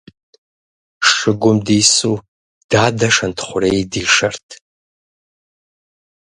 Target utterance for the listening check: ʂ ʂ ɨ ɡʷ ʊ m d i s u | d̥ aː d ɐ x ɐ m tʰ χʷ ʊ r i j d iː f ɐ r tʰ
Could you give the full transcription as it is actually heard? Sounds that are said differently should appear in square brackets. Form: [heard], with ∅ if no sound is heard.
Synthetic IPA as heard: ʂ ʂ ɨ ɡʷ ʊ m d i s u | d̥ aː d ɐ [ʂ] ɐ [n] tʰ χʷ ʊ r [e] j d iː [ʂ] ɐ r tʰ